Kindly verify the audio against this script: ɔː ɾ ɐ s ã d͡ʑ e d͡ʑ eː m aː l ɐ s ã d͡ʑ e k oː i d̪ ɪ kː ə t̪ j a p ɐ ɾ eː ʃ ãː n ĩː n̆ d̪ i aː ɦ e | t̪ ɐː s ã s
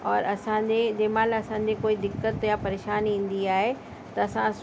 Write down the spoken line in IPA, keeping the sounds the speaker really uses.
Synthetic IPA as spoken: ɔː ɾ ɐ s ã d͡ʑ e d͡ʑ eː m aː l ɐ s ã d͡ʑ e k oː i d̪ ɪ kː ə t̪ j a p ɐ ɾ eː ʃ aː n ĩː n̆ d̪ i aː ɦ e | t̪ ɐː s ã s